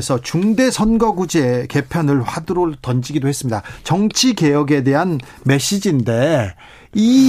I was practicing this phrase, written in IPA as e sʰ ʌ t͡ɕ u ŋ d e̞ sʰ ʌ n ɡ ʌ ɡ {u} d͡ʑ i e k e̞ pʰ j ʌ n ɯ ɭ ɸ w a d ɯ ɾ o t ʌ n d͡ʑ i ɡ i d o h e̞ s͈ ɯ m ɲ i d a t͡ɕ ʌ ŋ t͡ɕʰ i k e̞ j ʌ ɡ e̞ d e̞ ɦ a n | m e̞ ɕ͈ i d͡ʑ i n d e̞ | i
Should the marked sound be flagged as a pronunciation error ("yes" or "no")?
no